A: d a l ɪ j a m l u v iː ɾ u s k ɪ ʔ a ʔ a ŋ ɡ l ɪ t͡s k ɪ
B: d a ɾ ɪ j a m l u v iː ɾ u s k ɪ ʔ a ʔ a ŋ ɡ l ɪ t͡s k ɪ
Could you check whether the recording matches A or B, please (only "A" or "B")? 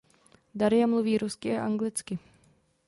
B